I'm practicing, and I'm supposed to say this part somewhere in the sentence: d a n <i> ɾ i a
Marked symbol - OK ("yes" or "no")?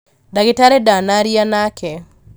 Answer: no